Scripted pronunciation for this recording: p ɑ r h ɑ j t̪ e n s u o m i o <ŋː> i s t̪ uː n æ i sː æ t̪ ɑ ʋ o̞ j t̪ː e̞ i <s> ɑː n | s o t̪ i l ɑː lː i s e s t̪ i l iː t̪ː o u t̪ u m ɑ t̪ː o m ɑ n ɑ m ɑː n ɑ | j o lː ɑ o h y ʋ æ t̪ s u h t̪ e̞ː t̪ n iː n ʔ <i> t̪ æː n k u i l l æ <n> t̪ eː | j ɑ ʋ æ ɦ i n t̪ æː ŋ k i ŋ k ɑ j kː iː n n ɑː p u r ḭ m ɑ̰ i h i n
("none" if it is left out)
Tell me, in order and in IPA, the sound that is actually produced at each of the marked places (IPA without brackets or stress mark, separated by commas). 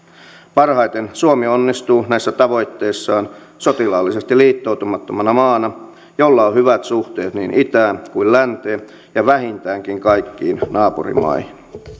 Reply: nː, sː, i, n